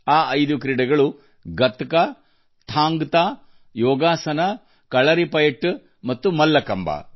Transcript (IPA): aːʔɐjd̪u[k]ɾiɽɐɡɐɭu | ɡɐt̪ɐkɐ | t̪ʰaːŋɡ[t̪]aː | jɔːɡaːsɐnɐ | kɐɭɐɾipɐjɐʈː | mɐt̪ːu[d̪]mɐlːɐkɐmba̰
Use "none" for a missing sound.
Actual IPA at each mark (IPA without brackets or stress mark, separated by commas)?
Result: k, t̪, none